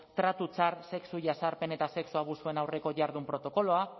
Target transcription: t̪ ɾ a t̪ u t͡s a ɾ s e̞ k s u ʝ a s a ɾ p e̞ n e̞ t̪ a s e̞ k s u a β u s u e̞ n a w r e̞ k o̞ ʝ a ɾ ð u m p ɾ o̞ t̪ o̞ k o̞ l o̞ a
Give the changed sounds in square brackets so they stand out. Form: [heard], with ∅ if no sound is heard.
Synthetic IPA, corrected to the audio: t̪ ɾ a t̪ u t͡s a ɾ s e̞ k s u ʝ a s a ɾ p e̞ n e̞ t̪ a s e̞ k s u a β u s u e̞ n a w r e̞ k o̞ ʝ a ɾ ð u m p ɾ o̞ t̪ o̞ k o̞ l o̞ a